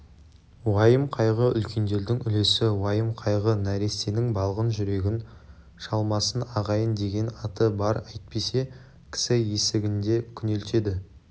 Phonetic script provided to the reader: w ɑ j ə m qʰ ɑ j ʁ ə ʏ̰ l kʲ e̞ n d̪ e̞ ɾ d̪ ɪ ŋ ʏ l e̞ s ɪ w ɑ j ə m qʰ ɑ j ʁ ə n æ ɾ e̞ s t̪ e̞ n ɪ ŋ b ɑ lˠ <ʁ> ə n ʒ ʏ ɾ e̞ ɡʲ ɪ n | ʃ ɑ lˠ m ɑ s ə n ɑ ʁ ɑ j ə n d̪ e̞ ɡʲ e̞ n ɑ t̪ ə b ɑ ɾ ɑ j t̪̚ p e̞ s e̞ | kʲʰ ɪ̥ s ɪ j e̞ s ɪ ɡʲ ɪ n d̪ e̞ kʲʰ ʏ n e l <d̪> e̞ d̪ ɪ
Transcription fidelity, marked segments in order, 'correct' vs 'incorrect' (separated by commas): correct, incorrect